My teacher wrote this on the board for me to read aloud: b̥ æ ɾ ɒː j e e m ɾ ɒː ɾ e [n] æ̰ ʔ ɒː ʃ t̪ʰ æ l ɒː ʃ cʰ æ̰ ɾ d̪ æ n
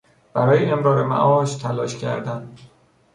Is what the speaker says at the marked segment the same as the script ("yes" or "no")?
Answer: no